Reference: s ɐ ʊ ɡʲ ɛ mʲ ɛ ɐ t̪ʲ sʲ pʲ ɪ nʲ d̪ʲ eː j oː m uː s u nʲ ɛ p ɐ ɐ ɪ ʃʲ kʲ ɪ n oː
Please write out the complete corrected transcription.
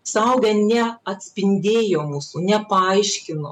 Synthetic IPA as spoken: s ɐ ʊ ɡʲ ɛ nʲ ɛ ɐ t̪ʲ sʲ pʲ ɪ nʲ d̪ʲ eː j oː m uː s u nʲ ɛ p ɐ ɐ ɪ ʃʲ kʲ ɪ n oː